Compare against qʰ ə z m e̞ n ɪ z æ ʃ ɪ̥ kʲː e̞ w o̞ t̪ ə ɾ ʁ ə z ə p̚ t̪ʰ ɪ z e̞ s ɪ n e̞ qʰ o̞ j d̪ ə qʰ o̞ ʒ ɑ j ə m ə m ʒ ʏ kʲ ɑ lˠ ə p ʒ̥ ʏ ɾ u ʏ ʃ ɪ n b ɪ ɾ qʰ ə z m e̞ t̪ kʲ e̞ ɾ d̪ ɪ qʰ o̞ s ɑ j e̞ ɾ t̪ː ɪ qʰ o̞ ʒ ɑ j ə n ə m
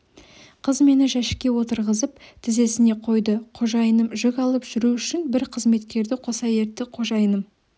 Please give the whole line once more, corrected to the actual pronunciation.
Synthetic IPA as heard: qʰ ə z m e̞ n ɪ ʒ æ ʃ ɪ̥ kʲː e̞ w o̞ t̪ ə ɾ ʁ ə z ə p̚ t̪ʰ ɪ z e̞ s ɪ n e̞ qʰ o̞ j d̪ ə qʰ o̞ ʒ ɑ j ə n ə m ʒ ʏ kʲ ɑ lˠ ə p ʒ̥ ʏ ɾ u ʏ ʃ ɪ n b ɪ ɾ qʰ ə z m e̞ t̪ kʲ e̞ ɾ d̪ ɪ qʰ o̞ s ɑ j e̞ ɾ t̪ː ɪ qʰ o̞ ʒ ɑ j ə n ə m